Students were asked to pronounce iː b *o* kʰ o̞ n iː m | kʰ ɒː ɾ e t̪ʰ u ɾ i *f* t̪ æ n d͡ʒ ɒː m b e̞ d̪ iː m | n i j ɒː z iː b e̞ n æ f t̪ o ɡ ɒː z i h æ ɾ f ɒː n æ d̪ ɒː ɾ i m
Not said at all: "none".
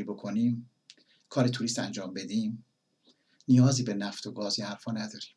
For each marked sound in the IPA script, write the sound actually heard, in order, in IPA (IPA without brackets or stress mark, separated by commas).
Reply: o, s